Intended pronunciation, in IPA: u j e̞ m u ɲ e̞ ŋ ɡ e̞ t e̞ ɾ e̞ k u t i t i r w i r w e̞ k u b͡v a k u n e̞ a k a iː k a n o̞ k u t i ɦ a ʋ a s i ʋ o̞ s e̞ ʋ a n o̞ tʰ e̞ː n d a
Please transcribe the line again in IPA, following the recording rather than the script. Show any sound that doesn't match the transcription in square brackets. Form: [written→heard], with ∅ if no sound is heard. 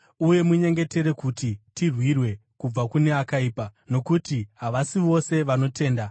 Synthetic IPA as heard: u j e̞ m u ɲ e̞ ŋ ɡ e̞ t e̞ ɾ e̞ k u t i t i r w i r w e̞ k u b͡v a k u n e̞ a k a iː [k→p] a n o̞ k u t i ɦ a ʋ a s i ʋ o̞ s e̞ ʋ a n o̞ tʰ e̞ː n d a

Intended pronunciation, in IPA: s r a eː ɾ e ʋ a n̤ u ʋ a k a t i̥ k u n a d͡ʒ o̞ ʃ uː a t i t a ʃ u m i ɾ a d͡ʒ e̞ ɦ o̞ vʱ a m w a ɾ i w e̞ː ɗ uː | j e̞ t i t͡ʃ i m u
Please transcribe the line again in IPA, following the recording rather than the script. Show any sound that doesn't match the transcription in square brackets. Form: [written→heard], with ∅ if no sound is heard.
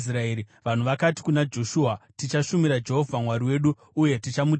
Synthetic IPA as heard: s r a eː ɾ [e→i] ʋ a n̤ u ʋ a k a t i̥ k u n a d͡ʒ o̞ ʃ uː a t i [t→t͡ʃ] a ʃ u m i ɾ a d͡ʒ e̞ ɦ o̞ vʱ a m w a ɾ i w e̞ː ɗ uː | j e̞ t i t͡ʃ [i→a] m u

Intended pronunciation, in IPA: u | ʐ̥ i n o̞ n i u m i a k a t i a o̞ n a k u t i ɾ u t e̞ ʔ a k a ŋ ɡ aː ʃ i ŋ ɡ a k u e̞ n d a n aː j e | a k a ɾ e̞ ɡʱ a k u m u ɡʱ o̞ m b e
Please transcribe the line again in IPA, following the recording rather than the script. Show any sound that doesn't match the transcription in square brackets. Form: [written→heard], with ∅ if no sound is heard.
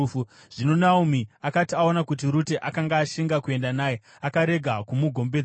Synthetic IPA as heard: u | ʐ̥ i n o̞ n [i→a] u m i a k a t i a o̞ n a k u t i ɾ u t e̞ ʔ a k a ŋ ɡ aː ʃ i ŋ ɡ a k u e̞ n d a n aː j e | a k a ɾ e̞ ɡʱ a k u m u ɡʱ o̞ m b e

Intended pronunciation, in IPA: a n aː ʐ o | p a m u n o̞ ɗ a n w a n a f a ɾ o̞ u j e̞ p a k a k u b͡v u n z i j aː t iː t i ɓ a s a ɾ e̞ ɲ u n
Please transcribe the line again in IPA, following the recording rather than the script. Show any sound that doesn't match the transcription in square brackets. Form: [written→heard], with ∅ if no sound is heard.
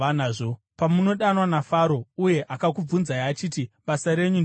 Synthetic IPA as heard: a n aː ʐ o | p a m u n o̞ ɗ a n w a n a f a ɾ o̞ u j e̞ [p→ʔ] a k a k u b͡v u n z [i→a] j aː [t→t͡ʃ] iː t i ɓ a s a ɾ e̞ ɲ u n

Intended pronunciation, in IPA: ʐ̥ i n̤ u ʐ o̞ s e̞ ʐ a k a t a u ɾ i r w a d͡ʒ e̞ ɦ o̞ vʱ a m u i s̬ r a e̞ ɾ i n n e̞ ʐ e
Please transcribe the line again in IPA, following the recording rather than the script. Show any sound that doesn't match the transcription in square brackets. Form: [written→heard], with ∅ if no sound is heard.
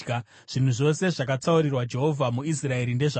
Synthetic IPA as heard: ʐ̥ i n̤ u ʐ o̞ s e̞ ʐ a k a [t→t͡s] a u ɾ i r w a d͡ʒ e̞ ɦ o̞ vʱ a m u i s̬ r a e̞ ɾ i n [n→d] e̞ ʐ [e→a]

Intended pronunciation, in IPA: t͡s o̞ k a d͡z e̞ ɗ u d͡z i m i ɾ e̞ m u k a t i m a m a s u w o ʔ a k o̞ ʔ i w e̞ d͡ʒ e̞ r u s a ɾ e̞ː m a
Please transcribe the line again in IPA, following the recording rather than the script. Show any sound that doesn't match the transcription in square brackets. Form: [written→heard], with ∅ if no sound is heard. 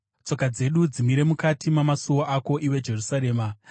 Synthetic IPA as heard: t͡s o̞ k a d͡z e̞ ɗ u d͡z i m i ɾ e̞ m u k a t i m a m a s u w o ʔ a k o̞ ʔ i w e̞ d͡ʒ e̞ r u s a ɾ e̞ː m a

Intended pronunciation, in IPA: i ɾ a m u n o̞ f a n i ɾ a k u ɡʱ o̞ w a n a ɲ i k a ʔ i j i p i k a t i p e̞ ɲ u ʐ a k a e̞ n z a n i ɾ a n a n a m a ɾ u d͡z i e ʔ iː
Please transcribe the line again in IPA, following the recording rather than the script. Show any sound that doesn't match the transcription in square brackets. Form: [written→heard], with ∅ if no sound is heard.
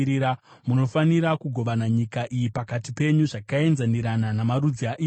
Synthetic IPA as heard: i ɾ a m u n o̞ f a n i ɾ a k u ɡʱ o̞ [w→ʋ] a n a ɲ i k a ʔ i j i p [i→a] k a t i p e̞ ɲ u ʐ a k a e̞ n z a n i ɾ a n a n a m a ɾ u d͡z i [e→a] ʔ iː

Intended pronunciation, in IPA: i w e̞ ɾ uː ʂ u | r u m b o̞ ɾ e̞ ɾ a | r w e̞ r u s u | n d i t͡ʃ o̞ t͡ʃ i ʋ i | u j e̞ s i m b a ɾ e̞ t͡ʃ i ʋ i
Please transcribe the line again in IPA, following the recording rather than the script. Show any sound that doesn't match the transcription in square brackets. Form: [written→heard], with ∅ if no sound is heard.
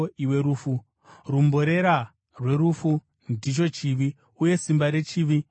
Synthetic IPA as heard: i w e̞ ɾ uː [ʂ→f] u | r u m b o̞ ɾ e̞ ɾ a | r w e̞ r u [s→f] u | n d i t͡ʃ o̞ t͡ʃ i ʋ i | u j e̞ s i m b a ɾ e̞ t͡ʃ i ʋ i

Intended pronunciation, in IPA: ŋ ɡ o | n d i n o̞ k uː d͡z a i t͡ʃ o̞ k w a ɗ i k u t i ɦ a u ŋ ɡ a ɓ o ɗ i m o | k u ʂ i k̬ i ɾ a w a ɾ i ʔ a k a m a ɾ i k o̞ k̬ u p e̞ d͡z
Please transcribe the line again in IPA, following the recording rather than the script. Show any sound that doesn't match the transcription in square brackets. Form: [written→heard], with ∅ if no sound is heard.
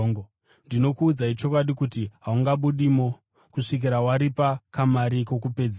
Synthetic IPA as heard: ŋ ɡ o | n d i n o̞ k uː d͡z a i t͡ʃ o̞ k w a ɗ i k u t i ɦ a u ŋ ɡ a ɓ [o→u] ɗ i m o | k u ʂ i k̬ i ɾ a w a ɾ i [ʔ→p] a k a m a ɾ i k o̞ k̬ u p e̞ d͡z

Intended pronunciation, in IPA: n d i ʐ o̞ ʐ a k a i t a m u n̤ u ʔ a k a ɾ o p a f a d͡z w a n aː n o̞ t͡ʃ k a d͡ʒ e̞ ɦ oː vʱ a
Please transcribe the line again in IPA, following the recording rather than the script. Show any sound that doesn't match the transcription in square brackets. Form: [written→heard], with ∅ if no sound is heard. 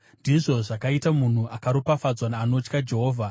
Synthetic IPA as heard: n d i ʐ o̞ ʐ a k a i t a m u n̤ u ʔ a k a ɾ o p a f a d͡z w a n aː n o̞ t͡ʃ k a d͡ʒ e̞ ɦ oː vʱ a

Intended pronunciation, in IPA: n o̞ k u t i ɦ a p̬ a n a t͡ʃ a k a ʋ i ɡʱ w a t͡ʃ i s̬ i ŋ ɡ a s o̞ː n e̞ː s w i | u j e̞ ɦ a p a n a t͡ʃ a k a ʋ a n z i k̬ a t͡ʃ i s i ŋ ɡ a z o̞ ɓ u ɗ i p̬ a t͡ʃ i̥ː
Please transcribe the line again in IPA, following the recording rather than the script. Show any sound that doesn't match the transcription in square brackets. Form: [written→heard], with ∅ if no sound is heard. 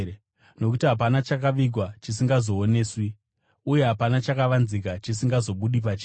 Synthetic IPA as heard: n o̞ k u t i ɦ a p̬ a n a t͡ʃ a k a ʋ i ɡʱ w a t͡ʃ i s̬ i ŋ ɡ a [s→z] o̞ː n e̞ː s w i | u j e̞ ɦ a p a n a t͡ʃ a k a ʋ a n z i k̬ a t͡ʃ i s i ŋ ɡ a z o̞ ɓ u ɗ i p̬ a t͡ʃ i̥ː

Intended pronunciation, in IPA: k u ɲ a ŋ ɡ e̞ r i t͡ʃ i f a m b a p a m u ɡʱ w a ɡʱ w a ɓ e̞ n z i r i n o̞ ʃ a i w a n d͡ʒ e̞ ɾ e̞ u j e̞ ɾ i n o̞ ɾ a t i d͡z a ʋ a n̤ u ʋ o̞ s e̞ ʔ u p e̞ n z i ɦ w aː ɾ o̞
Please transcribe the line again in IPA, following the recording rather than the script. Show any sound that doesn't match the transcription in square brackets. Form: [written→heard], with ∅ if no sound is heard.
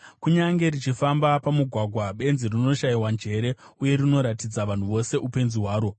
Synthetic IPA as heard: k u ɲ a ŋ ɡ e̞ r i t͡ʃ i f a m b a p a m u ɡʱ w a ɡʱ w a ɓ e̞ n z i r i n o̞ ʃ a i w a n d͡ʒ e̞ ɾ e̞ u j e̞ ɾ i n o̞ ɾ a t i d͡z a ʋ a n̤ u ʋ o̞ s e̞ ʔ u p e̞ n z i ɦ w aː ɾ o̞

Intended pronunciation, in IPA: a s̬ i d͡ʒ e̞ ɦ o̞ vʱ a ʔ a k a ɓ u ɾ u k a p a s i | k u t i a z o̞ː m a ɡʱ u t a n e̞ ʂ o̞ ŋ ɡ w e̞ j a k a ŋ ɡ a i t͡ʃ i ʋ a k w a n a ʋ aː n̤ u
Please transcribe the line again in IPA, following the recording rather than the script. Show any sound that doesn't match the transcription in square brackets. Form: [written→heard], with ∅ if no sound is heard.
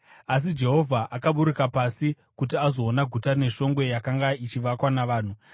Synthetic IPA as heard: a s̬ i d͡ʒ e̞ ɦ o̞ vʱ a ʔ a k a ɓ u ɾ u k a p a s i | k u t i a z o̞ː [m→n] a ɡʱ u t a n e̞ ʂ o̞ ŋ ɡ w e̞ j a k a ŋ ɡ a i t͡ʃ i ʋ a k w a n a ʋ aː n̤ u

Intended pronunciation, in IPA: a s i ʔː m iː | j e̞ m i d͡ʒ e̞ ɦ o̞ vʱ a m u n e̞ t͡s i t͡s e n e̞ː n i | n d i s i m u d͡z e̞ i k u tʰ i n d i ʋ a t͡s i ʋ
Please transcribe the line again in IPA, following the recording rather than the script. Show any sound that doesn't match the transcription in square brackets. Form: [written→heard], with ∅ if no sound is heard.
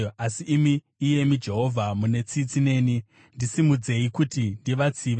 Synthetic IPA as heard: a s i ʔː m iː | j e̞ m i d͡ʒ e̞ ɦ o̞ vʱ a m u n e̞ t͡s i t͡s [e→i] n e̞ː n i | n d i s i m u d͡z e̞ i k u [tʰ→t] i n d i ʋ a t͡s i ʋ

